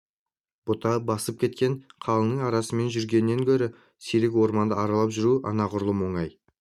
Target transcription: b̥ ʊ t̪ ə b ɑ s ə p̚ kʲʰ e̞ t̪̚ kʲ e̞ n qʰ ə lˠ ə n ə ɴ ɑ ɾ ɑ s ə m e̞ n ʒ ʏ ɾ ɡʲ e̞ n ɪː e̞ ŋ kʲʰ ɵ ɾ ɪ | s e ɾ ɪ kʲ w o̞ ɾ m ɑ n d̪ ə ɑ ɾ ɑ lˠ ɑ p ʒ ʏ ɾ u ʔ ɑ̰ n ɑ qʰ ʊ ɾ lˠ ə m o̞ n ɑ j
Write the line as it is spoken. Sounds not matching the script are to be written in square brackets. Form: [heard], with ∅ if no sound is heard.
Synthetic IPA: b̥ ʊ t̪ [ɑ] b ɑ s ə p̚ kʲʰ e̞ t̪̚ kʲ e̞ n qʰ [ɑ] lˠ ə n ə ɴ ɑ ɾ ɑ s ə m e̞ n ʒ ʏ ɾ ɡʲ e̞ n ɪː e̞ ŋ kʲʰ ɵ ɾ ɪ | s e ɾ ɪ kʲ w o̞ ɾ m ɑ n d̪ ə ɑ ɾ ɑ lˠ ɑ p ʒ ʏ ɾ u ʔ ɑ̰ n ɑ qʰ ʊ ɾ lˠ ə m o̞ [ɴ] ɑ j